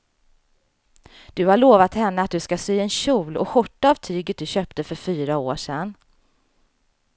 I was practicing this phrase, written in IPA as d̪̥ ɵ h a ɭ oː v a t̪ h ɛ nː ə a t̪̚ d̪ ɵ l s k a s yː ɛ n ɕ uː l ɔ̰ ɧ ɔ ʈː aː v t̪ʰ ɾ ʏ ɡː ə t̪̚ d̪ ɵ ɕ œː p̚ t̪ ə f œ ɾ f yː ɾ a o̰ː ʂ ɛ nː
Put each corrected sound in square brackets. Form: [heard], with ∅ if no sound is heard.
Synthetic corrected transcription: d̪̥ ɵ h a ɭ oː v a t̪ h ɛ nː ə a t̪̚ d̪ ɵ [∅] s k a s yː ɛ n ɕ uː l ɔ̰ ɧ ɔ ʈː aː v t̪ʰ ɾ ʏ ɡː ə t̪̚ d̪ ɵ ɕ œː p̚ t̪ ə f œ ɾ f yː ɾ a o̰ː ʂ ɛ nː